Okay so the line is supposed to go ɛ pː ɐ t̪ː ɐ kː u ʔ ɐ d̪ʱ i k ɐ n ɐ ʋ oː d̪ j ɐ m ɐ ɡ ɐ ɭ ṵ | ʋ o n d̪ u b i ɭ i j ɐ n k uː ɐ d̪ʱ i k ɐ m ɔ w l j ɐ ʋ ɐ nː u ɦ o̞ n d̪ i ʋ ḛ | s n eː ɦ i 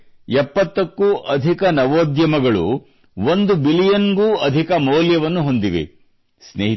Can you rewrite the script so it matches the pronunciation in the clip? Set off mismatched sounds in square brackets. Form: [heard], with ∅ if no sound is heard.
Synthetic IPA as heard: ɛ pː ɐ t̪ː ɐ kː u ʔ ɐ d̪ʱ i k ɐ n ɐ ʋ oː d̪ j ɐ m ɐ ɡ ɐ ɭ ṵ | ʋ o n d̪ u b i [l] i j ɐ n [ɡ] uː ɐ d̪ʱ i k ɐ m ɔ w l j ɐ ʋ ɐ nː u ɦ o̞ n d̪ i ʋ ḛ | s n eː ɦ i